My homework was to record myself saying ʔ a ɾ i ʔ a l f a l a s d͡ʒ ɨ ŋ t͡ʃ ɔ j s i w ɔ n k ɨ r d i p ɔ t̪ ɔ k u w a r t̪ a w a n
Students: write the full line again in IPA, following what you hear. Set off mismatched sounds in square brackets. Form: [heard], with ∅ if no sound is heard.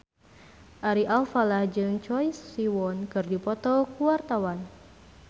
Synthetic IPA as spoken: ʔ a ɾ i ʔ a l f a l a [h] d͡ʒ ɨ ŋ t͡ʃ ɔ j s i w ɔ n k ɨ r d i p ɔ t̪ ɔ k u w a r t̪ a w a n

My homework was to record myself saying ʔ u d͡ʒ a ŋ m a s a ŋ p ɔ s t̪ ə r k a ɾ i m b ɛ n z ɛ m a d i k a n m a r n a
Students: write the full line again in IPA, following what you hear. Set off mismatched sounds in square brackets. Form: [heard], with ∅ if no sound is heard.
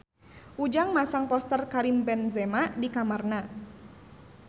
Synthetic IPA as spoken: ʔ u d͡ʒ a ŋ m a s a ŋ p ɔ s t̪ ə r k a ɾ i m b ɛ n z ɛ m a d i k a [∅] m a r n a

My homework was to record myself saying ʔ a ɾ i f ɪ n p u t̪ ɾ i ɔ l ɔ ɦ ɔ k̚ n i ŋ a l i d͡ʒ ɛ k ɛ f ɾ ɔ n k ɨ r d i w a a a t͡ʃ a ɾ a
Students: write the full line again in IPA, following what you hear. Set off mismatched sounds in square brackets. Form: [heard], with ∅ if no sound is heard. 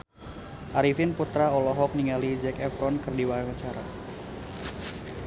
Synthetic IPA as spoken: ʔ a ɾ i f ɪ n p u t̪ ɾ [a] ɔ l ɔ ɦ ɔ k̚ n i ŋ a l i d͡ʒ ɛ k ɛ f ɾ ɔ n k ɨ r d i w a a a t͡ʃ a ɾ a

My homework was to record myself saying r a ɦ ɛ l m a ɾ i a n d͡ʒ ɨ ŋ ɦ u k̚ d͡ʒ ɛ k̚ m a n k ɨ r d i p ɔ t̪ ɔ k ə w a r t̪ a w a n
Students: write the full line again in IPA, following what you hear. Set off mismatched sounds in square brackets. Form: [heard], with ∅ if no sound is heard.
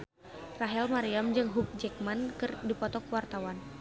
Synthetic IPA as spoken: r a ɦ ɛ l m a ɾ i a [m] d͡ʒ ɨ ŋ ɦ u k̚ d͡ʒ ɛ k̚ m a n k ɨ r d i p ɔ t̪ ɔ k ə w a r t̪ a w a n

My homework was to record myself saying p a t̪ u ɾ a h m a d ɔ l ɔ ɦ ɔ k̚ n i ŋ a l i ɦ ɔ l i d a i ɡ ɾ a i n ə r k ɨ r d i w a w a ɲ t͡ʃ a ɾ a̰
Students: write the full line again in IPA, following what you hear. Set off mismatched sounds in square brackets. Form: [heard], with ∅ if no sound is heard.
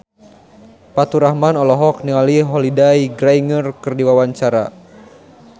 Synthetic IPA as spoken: p a t̪ u ɾ a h m a [n] ɔ l ɔ ɦ ɔ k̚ n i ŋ a l i ɦ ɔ l i d a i ɡ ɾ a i [ŋ] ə r k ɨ r d i w a w a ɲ t͡ʃ a ɾ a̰

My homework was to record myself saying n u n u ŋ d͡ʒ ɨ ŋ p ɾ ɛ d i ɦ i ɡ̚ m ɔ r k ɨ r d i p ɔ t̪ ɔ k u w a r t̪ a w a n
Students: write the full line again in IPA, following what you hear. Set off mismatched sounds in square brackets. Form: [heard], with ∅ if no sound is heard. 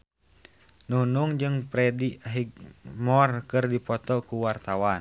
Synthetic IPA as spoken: n u n u ŋ d͡ʒ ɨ ŋ p ɾ ɛ d i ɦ i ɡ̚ m ɔ r k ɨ r d i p ɔ t̪ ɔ k u w a r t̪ a w a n

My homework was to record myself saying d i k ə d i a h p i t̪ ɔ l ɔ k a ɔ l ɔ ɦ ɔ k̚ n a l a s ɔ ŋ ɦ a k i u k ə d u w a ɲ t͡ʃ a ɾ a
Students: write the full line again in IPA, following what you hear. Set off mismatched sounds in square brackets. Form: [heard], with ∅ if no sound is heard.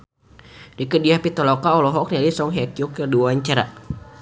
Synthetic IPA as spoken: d i k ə d i a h p i t̪ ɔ l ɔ k a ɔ l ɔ ɦ ɔ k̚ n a l [i] s ɔ ŋ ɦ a k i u k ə d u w a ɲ t͡ʃ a ɾ a

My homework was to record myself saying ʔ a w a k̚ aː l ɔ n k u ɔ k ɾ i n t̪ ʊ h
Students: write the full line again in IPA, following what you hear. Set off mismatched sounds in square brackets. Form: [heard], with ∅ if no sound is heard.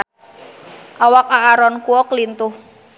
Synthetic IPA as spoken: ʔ a w a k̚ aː [ɾ] ɔ n k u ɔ k [l] i n t̪ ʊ h

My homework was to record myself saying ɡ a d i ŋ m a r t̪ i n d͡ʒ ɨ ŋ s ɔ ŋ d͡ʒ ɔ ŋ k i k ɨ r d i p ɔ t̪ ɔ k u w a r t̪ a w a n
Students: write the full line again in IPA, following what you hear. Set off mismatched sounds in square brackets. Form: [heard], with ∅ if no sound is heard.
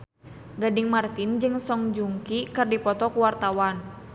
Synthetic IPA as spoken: ɡ a d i ŋ m a r t̪ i n d͡ʒ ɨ ŋ s ɔ ŋ d͡ʒ [u] ŋ k i k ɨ r d i p ɔ t̪ ɔ k u w a r t̪ a w a n

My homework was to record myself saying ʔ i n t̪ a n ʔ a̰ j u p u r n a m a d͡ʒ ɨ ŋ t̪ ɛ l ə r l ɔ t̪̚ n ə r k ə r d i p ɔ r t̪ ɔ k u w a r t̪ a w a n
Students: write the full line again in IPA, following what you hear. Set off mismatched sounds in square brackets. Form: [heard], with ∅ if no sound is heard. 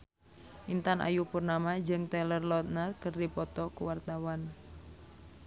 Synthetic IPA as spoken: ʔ i n t̪ a n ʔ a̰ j u p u r n a m a d͡ʒ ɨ ŋ t̪ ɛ l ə r l ɔ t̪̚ n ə r k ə r d i p ɔ [∅] t̪ ɔ k u w a r t̪ a w a n

